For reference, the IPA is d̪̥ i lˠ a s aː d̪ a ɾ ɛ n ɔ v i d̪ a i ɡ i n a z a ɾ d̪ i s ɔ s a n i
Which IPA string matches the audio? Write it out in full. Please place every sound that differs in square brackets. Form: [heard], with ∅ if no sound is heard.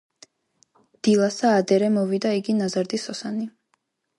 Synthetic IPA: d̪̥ i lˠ a s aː d̪ [ɛ] ɾ ɛ [m] ɔ v i d̪ a i ɡ i n a z a ɾ d̪ i s ɔ s a n i